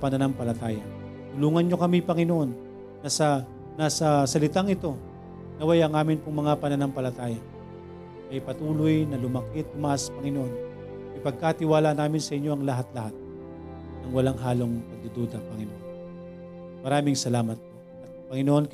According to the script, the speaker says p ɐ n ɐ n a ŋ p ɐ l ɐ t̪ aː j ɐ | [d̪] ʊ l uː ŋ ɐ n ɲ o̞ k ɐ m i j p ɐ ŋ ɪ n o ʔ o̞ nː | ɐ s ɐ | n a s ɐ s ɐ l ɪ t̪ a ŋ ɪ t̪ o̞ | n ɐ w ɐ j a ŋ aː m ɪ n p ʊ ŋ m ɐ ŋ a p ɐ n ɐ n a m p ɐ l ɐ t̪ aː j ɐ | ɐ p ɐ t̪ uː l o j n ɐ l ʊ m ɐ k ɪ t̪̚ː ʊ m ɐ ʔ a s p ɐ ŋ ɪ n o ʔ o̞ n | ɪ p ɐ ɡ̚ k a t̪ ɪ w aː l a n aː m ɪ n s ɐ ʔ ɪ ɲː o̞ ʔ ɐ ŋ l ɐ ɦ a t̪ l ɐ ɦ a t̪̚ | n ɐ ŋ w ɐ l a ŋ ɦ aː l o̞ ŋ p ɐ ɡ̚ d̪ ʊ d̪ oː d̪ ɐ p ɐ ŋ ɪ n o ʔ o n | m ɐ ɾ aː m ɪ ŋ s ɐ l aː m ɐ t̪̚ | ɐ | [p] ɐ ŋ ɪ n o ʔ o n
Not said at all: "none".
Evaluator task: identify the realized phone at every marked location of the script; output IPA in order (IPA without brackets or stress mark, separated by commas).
t̪, p